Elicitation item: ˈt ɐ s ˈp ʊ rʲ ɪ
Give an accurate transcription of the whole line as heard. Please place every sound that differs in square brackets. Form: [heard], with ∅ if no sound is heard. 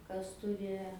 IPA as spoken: [ˈk] ɐ s [ˈt] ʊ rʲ ɪ

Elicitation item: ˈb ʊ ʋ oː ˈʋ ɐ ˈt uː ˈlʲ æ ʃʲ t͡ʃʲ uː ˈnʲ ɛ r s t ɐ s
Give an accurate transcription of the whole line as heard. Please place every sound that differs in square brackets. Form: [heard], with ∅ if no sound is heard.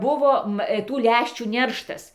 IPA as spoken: ˈb ʊ ʋ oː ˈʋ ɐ ˈt uː ˈlʲ æ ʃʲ t͡ʃʲ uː ˈnʲ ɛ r [ʃ] t ɐ s

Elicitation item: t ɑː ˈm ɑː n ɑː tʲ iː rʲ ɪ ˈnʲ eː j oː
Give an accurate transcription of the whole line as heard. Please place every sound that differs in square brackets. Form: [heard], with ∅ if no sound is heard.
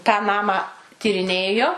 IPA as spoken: t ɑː [ˈn] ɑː [m] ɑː tʲ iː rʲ ɪ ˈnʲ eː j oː

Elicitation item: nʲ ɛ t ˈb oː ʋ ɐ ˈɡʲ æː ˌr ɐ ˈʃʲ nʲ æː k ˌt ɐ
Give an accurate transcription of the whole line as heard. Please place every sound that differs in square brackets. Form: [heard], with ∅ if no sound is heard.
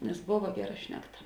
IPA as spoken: nʲ ɛ [s] ˈb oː ʋ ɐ ˈɡʲ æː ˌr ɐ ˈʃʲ nʲ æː k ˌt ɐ

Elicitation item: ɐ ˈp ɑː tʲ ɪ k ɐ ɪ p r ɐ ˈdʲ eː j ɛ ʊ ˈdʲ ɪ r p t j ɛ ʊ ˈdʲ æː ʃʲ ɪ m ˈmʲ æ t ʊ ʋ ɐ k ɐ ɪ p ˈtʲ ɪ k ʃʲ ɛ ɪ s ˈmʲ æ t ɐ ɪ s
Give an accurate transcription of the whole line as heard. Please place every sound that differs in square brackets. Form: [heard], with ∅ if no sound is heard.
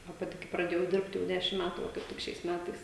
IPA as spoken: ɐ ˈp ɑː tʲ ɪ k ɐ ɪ p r ɐ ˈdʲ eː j ɛ ʊ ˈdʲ ɪ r p t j ɛ ʊ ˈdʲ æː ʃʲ ɪ m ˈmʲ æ t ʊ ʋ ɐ k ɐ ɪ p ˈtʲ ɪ k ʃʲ ɛ ɪ s ˈmʲ æ t ɐ ɪ s

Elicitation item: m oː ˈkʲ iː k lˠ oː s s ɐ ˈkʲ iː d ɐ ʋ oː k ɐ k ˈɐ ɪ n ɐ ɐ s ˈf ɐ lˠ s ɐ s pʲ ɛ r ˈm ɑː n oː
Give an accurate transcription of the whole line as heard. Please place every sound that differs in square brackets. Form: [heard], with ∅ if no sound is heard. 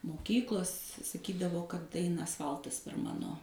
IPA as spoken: m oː ˈkʲ iː k lˠ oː s s ɐ ˈkʲ iː d ɐ ʋ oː k ɐ [t] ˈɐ ɪ n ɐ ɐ s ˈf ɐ lˠ [t] ɐ s pʲ ɛ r ˈm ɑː n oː

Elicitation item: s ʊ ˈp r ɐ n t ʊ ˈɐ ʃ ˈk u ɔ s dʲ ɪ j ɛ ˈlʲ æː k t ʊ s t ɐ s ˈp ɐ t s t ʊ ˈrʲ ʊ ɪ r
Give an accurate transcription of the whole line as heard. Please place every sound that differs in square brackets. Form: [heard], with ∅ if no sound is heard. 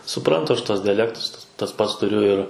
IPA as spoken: s ʊ ˈp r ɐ n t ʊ ˈɐ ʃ [ˈt] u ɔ s dʲ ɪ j ɛ ˈlʲ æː k t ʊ s t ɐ s ˈp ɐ t s t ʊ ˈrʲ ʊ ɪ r

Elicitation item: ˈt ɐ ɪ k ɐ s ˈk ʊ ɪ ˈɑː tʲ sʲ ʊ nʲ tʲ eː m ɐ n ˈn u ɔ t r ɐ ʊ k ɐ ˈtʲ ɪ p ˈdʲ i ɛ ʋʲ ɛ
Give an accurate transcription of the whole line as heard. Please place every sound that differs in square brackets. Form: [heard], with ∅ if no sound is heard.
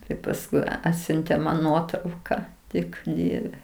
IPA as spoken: ˈt ɐ ɪ [p] ɐ s ˈk ʊ ɪ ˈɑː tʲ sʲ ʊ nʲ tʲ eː m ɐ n ˈn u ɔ t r ɐ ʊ k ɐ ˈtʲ ɪ [k] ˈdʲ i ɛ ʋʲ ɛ

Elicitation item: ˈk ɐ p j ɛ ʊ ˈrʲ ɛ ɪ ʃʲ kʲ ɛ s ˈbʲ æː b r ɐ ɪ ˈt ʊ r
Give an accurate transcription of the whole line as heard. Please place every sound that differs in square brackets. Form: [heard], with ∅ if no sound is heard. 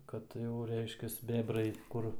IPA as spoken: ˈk ɐ [t] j ɛ ʊ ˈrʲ ɛ ɪ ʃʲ kʲ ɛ s ˈbʲ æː b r ɐ ɪ [ˈk] ʊ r

